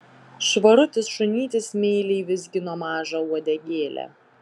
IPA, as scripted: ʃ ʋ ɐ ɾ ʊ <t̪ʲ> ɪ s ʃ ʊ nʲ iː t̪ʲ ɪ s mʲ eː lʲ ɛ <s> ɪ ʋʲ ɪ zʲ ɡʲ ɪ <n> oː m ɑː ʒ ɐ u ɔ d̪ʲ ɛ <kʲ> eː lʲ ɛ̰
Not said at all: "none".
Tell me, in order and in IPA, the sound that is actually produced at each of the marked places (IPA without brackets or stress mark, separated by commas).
t̪ʲ, none, n, ɡʲ